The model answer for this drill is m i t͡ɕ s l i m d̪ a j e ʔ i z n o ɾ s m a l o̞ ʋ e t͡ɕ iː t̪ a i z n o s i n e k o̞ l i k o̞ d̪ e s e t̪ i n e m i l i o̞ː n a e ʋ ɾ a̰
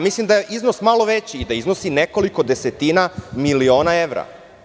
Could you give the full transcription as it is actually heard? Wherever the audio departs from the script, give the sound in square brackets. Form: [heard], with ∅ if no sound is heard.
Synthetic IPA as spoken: m i [∅] s l i m d̪ a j e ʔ i z n o [∅] s m a l o̞ ʋ e t͡ɕ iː [d̪] a i z n o s i n e k o̞ l i k o̞ d̪ e s e t̪ i n [a] m i l i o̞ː n a e ʋ ɾ a̰

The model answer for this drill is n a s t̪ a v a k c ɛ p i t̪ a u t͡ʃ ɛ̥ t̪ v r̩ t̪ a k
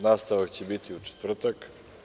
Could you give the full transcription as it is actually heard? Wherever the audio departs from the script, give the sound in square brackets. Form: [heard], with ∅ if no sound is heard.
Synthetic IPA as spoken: n a s t̪ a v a k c ɛ [b] i t̪ [i] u t͡ʃ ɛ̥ t̪ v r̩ t̪ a k

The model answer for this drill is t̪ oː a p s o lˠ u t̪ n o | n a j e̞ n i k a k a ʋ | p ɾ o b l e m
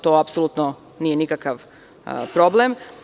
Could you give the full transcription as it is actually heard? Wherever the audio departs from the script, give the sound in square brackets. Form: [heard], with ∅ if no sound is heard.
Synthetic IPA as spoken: t̪ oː a p s o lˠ u t̪ n o | n [i] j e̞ n i k a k a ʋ | p ɾ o b l e m

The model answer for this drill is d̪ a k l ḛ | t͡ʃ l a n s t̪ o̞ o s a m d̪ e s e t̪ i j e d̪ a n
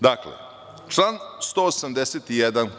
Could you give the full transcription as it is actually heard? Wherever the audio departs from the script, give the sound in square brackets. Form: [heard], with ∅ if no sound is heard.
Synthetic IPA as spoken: d̪ a k l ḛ | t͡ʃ l a n s t̪ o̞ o s a m d̪ e s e t̪ i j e d̪ a n

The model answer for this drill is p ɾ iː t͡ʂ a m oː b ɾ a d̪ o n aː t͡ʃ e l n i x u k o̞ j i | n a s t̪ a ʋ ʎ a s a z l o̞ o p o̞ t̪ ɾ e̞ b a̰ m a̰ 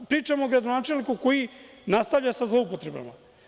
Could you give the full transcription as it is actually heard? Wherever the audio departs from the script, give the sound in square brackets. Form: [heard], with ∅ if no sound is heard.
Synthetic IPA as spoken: p ɾ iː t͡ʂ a m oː [ɡ] ɾ a d̪ o n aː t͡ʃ e l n i [k] u k o̞ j i | n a s t̪ a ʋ ʎ a s a z l o̞ [u] p o̞ t̪ ɾ e̞ b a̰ m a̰

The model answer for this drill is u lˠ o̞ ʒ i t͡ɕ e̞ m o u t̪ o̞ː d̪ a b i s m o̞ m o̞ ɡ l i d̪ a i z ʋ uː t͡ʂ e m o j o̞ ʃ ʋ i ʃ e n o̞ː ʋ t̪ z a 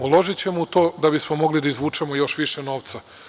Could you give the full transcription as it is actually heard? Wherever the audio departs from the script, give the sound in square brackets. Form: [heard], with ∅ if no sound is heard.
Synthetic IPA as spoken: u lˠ o̞ ʒ i t͡ɕ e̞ m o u t̪ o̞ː d̪ a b i s m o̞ m o̞ ɡ l i d̪ a i z ʋ uː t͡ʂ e m o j o̞ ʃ ʋ i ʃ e n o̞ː ʋ t̪ [s] a

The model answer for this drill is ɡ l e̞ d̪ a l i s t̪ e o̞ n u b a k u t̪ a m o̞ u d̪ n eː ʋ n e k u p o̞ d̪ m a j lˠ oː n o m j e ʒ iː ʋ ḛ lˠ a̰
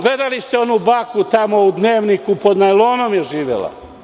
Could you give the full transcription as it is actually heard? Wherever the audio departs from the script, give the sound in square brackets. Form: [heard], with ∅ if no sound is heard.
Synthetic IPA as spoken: ɡ l e̞ d̪ a l i s t̪ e o̞ n u b a k u t̪ a m o̞ u d̪ n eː ʋ n [i] k u p o̞ d̪ [n] a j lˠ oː n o m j e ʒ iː ʋ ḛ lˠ a̰

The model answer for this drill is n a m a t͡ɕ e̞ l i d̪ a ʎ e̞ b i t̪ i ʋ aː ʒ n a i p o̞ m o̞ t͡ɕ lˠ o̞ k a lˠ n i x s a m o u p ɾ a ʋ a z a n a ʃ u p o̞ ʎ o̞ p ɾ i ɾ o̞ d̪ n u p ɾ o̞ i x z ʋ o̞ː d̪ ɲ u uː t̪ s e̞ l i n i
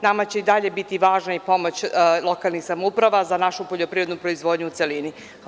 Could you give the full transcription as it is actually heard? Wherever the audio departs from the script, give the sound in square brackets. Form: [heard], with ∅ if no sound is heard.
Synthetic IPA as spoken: n a m a t͡ɕ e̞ [∅] i d̪ a ʎ e̞ b i t̪ i ʋ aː ʒ n a i p o̞ m o̞ t͡ɕ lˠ o̞ k a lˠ n i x s a m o u p ɾ a ʋ a z a n a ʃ u p o̞ ʎ o̞ p ɾ i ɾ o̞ d̪ n u p ɾ o̞ i [∅] z ʋ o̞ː d̪ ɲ u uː t̪ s e̞ l i n i

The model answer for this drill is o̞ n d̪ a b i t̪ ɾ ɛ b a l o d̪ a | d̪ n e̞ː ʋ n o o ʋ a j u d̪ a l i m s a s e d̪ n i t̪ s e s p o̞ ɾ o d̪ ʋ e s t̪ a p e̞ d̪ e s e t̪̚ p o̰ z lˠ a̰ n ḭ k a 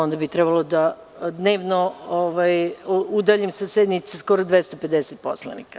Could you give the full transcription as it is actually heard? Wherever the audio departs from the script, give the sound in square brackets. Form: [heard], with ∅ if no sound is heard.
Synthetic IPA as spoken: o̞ n d̪ a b i t̪ ɾ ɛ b a l o d̪ a | d̪ n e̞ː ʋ n o o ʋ a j u d̪ a [ʎ] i m s a s e d̪ n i t̪ s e s [k] o̞ ɾ o d̪ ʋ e s t̪ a p e̞ d̪ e s e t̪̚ p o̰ [s] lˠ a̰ n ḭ k a

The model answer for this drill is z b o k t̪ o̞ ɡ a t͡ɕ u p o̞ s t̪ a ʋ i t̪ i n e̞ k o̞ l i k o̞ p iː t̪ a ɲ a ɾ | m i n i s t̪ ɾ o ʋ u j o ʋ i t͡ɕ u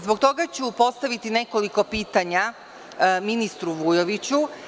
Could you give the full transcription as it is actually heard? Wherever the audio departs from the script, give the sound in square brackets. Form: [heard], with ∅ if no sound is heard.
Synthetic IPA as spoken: z b o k t̪ o̞ ɡ a t͡ɕ u p o̞ s t̪ a ʋ i t̪ i n e̞ k o̞ l i k o̞ p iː t̪ a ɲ a [∅] | m i n i s t̪ ɾ [u] ʋ u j o ʋ i t͡ɕ u

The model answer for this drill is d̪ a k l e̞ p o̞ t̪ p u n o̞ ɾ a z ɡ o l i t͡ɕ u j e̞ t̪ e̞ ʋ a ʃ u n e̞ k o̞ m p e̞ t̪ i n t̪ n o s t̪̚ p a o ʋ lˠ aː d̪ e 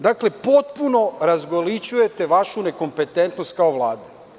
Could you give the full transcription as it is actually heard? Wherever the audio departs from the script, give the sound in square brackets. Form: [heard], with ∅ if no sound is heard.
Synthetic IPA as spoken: d̪ a k l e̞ p o̞ t̪ p u n o̞ ɾ a z ɡ o l i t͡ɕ u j e̞ t̪ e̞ ʋ a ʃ u n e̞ k o̞ m p e̞ t̪ [e] n t̪ n o s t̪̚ [k] a o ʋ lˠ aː d̪ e

